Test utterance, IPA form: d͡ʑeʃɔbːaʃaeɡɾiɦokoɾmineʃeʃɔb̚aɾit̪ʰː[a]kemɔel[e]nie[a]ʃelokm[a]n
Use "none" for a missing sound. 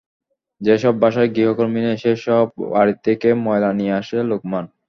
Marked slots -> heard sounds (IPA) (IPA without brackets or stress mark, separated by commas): e, a, a, a